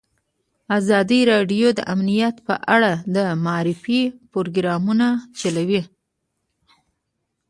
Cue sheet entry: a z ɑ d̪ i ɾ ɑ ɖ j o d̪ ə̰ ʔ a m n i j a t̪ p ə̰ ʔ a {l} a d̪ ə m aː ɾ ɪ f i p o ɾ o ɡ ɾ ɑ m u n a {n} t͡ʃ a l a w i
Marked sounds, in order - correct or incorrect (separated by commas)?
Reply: incorrect, incorrect